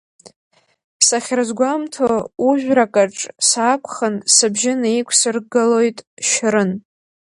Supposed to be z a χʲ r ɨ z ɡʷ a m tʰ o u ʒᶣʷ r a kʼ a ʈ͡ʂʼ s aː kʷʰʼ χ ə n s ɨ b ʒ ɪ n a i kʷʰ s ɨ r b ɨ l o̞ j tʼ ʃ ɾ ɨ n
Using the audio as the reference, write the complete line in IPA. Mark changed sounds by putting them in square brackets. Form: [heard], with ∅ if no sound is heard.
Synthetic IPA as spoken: [s] a χʲ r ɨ z ɡʷ a m tʰ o u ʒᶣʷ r a kʼ a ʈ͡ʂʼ s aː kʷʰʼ χ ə n s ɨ b ʒ ɪ n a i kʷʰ s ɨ r [ɡ] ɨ l o̞ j tʼ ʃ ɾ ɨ n